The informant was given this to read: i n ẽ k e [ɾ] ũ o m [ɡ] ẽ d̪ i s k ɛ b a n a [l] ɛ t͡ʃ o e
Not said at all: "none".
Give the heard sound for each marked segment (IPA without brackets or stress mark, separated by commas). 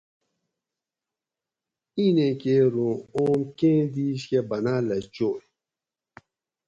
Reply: ɾ, k, l